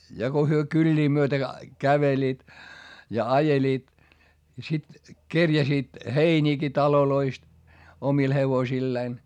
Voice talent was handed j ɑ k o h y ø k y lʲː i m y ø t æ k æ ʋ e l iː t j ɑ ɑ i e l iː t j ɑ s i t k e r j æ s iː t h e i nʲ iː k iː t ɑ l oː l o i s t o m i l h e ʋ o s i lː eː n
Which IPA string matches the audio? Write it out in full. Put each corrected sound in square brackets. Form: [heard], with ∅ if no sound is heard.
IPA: j ɑ k o h y ø k y lʲː [iː] m y ø t æ k æ ʋ e l iː t j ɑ ɑ [j] e l iː t j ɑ s i t k e r j æ s iː t h e i nʲ iː k [i] t ɑ l [o] l o i s t o m i l h e ʋ o s i lː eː n